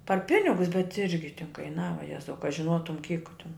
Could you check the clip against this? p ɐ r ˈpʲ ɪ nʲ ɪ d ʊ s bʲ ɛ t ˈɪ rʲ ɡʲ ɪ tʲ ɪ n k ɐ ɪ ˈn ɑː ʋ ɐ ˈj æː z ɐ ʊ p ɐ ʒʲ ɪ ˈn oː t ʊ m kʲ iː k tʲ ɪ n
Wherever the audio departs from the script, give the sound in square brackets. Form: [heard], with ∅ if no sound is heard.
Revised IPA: p ɐ r ˈpʲ ɪ nʲ ɪ [ɡ] ʊ s bʲ ɛ t ˈɪ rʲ ɡʲ ɪ tʲ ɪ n k ɐ ɪ ˈn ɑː ʋ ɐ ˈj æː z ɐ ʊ [k] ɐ ʒʲ ɪ ˈn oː t ʊ m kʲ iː k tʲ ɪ n